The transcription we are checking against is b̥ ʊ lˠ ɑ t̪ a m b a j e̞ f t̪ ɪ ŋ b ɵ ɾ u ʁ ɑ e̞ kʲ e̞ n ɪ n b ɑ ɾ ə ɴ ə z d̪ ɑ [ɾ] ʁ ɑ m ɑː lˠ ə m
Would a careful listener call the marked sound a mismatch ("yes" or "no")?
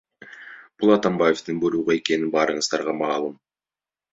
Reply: no